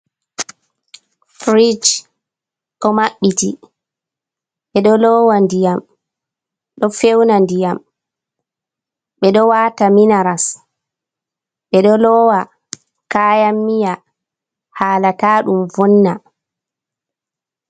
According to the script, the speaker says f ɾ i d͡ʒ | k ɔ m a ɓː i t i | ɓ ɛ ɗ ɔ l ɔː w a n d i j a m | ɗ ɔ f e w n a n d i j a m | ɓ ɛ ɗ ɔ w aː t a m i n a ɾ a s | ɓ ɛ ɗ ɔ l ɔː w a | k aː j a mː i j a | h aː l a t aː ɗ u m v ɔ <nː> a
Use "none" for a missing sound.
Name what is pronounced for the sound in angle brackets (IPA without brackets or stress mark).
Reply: nː